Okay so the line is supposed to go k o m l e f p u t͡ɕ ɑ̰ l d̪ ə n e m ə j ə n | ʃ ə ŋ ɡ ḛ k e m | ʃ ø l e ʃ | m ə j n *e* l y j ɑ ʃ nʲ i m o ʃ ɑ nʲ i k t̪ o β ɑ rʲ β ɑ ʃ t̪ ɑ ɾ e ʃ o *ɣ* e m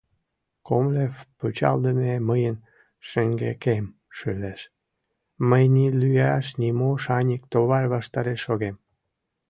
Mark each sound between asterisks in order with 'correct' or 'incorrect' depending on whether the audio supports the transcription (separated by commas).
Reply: incorrect, correct